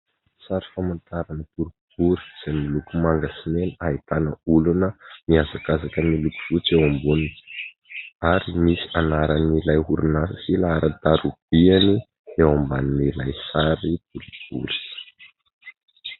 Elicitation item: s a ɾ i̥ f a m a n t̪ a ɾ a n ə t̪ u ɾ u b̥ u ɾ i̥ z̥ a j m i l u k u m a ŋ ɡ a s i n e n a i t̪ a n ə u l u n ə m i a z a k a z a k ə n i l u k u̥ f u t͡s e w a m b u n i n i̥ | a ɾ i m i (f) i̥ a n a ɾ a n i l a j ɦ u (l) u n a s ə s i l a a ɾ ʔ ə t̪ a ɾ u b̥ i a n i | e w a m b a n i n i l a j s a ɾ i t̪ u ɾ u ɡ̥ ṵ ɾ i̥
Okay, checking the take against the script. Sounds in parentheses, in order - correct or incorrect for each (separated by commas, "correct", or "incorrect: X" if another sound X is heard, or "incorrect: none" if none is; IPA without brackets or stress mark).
incorrect: s, incorrect: ɾ